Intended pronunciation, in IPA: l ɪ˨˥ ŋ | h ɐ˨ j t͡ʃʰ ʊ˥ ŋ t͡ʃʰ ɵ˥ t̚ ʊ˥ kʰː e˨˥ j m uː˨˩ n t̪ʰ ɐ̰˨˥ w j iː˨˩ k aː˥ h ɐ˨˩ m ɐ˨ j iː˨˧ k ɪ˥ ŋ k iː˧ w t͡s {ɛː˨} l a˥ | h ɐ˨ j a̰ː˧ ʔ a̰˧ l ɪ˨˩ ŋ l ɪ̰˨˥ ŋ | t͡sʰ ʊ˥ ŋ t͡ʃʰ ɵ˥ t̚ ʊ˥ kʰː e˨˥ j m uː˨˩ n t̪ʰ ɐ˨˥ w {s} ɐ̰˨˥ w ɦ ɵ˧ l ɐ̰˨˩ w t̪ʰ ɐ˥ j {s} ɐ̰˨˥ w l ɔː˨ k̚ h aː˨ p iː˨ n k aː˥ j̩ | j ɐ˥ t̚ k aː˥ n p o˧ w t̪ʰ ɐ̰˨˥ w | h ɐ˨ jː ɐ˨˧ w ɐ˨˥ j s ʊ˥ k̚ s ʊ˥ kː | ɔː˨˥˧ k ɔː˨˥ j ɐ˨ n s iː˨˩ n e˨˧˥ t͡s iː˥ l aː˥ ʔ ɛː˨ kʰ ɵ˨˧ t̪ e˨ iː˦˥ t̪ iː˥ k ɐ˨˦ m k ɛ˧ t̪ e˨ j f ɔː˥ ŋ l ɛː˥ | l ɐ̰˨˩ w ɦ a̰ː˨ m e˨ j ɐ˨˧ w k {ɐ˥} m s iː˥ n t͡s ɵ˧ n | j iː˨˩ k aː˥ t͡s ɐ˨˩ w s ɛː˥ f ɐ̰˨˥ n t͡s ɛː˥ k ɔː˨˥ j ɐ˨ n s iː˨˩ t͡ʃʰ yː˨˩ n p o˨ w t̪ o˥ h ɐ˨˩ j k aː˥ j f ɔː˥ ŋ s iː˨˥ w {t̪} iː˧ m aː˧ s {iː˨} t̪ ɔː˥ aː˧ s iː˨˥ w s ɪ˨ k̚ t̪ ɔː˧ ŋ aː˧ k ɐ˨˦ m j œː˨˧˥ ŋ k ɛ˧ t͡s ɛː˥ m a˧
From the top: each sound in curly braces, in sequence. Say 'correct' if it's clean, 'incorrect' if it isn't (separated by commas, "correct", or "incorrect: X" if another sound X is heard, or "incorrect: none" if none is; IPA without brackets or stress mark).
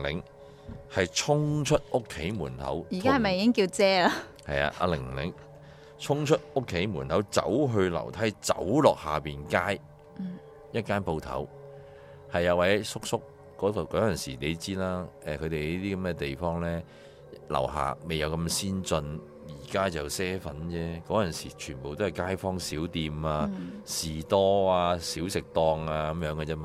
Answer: incorrect: ɛː˥, incorrect: t͡s, incorrect: t͡s, incorrect: ɐ˧, correct, correct